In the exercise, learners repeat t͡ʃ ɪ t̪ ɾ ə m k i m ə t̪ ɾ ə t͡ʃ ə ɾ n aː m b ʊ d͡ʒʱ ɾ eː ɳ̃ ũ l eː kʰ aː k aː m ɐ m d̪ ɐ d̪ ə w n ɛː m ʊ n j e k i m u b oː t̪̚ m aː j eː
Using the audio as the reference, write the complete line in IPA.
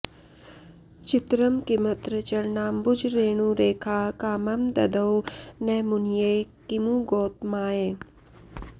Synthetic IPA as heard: t͡ʃ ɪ t̪ ɾ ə m k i m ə t̪ ɾ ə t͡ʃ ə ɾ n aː m b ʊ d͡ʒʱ ɾ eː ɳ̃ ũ ɾ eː kʰ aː k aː m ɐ m d̪ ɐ d̪ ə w n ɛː m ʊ n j e k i m u ɡ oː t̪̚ m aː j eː